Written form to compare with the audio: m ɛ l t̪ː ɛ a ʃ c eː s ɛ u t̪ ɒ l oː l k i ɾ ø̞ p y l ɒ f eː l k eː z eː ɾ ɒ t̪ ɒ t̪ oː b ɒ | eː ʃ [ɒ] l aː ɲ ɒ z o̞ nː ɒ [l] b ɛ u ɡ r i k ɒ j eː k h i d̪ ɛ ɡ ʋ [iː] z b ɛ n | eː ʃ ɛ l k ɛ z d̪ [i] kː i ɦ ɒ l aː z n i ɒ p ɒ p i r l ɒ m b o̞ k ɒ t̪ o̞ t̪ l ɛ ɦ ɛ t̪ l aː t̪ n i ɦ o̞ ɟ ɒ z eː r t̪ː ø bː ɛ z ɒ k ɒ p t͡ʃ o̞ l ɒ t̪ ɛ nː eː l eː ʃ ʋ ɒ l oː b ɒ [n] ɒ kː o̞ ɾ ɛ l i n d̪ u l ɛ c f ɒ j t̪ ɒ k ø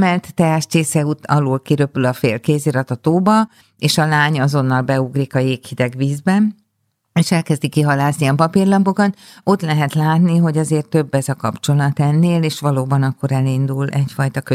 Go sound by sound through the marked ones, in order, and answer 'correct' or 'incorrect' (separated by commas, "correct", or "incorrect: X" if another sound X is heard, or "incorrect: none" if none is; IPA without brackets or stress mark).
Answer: correct, correct, correct, correct, correct